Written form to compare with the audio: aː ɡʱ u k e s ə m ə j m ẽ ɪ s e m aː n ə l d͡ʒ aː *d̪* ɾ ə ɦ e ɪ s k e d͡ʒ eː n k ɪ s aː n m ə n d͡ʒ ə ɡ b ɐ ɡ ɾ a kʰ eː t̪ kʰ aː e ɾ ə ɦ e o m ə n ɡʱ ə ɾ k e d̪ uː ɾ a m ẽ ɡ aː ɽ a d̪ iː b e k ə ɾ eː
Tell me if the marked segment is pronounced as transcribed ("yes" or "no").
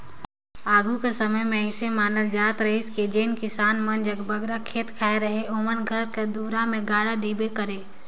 no